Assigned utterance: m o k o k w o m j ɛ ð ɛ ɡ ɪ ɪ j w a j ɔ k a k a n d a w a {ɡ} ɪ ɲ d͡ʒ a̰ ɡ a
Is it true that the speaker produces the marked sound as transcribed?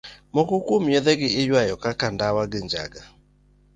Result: yes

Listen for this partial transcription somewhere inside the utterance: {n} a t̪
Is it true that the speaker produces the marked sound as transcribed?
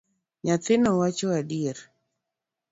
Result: no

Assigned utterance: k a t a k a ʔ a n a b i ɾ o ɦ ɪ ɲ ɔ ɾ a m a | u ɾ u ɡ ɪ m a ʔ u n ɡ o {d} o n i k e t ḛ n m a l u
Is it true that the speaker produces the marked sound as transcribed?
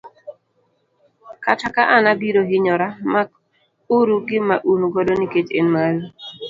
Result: yes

